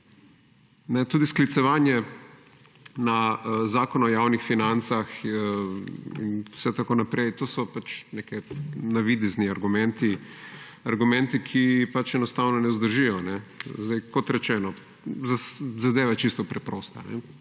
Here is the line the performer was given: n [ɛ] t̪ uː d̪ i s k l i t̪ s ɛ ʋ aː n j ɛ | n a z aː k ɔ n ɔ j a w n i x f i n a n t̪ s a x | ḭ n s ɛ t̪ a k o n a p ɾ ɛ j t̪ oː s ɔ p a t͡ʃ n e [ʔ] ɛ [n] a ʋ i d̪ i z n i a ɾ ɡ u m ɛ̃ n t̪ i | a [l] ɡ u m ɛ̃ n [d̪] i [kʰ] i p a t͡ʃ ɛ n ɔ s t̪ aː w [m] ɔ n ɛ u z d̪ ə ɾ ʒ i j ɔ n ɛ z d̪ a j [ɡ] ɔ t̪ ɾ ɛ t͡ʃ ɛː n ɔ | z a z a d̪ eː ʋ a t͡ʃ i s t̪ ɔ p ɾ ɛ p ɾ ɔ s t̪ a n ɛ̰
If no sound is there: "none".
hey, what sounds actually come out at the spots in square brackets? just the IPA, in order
ɛ, k, n, ɾ, t̪, kʰ, n, k

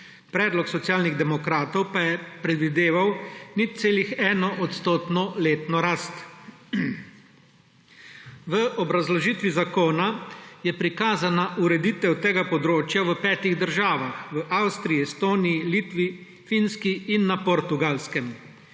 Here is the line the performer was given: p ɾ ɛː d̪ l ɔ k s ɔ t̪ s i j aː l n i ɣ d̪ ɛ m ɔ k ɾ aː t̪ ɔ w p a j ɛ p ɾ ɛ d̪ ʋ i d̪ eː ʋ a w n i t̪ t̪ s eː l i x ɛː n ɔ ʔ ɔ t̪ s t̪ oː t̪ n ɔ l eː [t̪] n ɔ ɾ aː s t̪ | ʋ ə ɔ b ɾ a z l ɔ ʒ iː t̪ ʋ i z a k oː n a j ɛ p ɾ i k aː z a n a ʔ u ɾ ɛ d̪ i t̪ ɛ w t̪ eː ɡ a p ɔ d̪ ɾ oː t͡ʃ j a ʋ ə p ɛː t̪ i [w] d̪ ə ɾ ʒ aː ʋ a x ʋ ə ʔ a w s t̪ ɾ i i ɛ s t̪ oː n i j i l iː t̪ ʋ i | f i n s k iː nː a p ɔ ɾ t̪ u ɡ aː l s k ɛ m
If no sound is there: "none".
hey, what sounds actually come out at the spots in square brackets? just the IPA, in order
t̪, ɣ

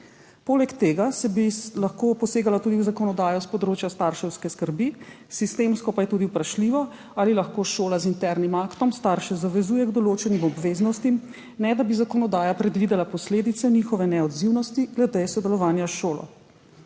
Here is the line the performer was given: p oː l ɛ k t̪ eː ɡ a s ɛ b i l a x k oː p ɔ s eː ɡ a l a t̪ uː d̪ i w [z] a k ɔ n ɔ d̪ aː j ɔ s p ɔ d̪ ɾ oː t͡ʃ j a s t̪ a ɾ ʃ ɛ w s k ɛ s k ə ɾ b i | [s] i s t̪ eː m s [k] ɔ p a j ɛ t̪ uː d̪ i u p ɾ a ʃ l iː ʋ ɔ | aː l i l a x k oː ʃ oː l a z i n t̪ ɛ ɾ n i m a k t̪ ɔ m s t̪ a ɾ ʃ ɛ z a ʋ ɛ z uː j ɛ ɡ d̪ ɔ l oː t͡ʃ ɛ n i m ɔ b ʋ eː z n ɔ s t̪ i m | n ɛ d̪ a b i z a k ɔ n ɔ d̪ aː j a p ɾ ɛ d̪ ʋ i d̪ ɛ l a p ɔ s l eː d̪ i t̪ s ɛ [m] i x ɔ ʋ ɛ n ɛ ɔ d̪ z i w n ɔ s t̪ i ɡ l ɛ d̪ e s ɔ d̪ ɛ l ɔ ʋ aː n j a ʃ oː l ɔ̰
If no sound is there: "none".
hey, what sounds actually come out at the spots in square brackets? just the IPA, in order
z, s, k, n

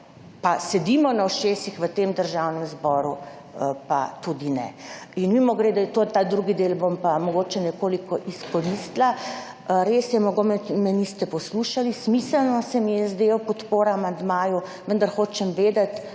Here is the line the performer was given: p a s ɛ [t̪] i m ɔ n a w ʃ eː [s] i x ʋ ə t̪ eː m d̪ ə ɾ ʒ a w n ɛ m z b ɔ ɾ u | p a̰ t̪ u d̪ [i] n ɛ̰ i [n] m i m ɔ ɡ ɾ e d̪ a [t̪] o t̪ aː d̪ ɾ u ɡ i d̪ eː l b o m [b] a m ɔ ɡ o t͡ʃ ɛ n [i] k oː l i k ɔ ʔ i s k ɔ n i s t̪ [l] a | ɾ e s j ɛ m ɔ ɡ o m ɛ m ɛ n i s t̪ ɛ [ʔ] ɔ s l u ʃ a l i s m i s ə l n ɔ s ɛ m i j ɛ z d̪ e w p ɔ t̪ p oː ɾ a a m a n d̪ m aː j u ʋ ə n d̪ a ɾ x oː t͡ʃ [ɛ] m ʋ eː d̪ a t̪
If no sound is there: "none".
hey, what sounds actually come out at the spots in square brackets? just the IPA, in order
d̪, s, i, n, t̪, p, ɛ, l, p, ɛ

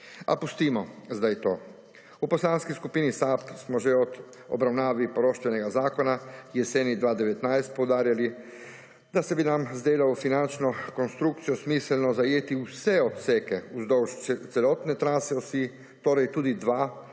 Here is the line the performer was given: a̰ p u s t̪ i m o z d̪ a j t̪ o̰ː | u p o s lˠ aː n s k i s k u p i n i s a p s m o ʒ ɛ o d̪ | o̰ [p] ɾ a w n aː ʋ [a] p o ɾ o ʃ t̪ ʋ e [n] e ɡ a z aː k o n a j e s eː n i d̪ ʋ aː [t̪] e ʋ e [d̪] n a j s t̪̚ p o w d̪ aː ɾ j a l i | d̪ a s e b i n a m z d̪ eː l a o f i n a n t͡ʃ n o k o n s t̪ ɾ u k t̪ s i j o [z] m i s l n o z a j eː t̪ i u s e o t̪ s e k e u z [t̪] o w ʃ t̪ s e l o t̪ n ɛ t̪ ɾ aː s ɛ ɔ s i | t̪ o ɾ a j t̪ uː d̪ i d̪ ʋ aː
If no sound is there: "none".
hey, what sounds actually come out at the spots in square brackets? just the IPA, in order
b, i, n, d̪, t̪, s, d̪

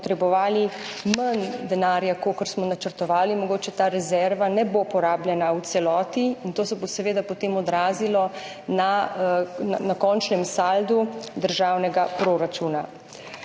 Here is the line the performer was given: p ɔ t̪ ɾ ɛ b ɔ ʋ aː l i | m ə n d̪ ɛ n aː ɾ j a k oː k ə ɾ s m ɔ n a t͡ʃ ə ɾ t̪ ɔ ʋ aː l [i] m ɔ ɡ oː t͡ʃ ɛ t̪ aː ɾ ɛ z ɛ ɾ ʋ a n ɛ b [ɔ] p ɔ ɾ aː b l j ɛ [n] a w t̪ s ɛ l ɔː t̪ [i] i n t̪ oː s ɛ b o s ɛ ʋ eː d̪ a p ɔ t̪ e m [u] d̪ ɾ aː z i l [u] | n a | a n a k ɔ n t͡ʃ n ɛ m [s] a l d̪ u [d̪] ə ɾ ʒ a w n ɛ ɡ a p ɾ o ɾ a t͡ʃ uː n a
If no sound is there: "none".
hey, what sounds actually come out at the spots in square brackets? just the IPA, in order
i, o, n, i, ɔ, ɔ, s, d̪

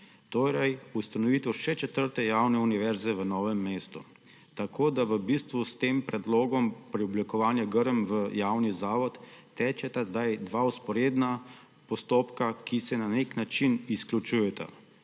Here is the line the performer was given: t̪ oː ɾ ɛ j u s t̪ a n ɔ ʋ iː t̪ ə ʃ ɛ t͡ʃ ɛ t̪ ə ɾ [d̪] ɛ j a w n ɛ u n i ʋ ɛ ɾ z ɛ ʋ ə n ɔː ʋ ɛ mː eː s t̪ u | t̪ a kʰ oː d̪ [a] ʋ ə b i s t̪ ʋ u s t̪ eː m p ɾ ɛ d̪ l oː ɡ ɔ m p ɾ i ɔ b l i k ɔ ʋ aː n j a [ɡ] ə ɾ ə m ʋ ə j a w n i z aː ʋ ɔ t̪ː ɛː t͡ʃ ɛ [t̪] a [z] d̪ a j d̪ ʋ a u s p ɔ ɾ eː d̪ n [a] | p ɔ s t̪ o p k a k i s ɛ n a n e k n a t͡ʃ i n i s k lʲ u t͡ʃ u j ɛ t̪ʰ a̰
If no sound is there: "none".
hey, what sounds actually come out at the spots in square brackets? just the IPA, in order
t̪, a, ɡ, t̪, z, a

